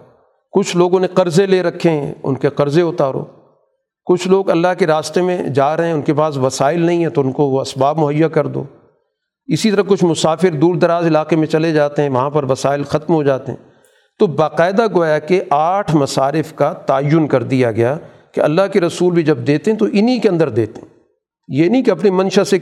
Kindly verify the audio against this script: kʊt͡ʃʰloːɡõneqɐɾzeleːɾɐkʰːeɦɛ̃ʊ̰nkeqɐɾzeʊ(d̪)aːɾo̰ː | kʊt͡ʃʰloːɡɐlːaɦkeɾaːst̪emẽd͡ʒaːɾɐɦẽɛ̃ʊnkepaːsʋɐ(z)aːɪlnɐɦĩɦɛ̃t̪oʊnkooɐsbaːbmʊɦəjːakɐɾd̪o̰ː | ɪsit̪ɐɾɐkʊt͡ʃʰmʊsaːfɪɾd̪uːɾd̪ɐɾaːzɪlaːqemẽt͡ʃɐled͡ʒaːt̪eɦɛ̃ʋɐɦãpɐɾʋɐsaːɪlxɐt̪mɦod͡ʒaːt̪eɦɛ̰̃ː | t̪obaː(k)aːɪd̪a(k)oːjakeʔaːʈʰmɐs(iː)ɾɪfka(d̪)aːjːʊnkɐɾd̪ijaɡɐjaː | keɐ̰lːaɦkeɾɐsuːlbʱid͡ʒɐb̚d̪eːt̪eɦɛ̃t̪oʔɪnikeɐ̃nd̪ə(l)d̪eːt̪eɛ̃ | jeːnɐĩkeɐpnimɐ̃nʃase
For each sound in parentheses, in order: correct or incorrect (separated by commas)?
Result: incorrect, incorrect, incorrect, incorrect, incorrect, incorrect, incorrect